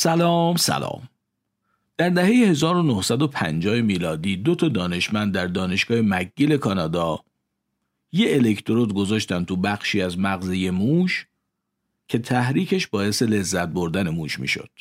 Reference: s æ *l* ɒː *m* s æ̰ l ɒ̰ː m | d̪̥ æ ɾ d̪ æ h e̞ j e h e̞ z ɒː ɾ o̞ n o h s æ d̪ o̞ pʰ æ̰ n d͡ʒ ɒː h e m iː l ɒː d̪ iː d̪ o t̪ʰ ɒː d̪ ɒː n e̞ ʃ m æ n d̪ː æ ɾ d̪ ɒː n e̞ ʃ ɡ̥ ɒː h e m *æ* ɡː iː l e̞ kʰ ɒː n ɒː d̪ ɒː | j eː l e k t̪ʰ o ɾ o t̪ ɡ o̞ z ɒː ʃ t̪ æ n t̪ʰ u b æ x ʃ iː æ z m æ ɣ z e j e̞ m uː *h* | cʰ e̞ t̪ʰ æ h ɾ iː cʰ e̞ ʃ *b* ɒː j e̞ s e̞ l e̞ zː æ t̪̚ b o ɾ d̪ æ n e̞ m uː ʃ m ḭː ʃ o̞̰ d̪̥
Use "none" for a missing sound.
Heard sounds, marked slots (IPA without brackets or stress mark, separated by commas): l, m, æ, ʃ, b